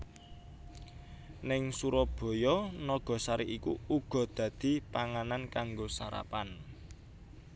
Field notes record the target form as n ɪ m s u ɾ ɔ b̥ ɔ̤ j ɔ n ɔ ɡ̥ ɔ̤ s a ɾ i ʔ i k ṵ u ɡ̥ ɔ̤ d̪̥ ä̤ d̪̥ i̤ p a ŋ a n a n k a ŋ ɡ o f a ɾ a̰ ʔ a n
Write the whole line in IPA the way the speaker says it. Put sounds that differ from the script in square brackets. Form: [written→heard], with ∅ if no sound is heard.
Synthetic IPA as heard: n ɪ [m→ŋ] s u ɾ ɔ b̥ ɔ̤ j ɔ n ɔ ɡ̥ ɔ̤ s a ɾ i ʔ i k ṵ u ɡ̥ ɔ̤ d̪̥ ä̤ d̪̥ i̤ p a ŋ a n a n k a ŋ ɡ o [f→s] a ɾ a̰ [ʔ→p] a n